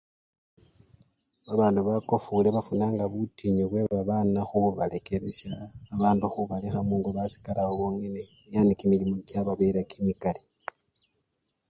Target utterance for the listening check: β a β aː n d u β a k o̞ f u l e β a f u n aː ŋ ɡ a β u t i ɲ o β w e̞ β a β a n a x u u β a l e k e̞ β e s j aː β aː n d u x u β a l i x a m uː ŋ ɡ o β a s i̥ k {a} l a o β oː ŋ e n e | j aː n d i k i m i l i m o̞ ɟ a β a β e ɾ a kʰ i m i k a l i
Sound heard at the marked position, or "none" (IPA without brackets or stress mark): a